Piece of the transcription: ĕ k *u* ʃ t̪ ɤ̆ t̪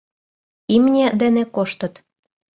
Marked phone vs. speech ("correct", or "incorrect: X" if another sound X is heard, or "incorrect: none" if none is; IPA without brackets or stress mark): incorrect: o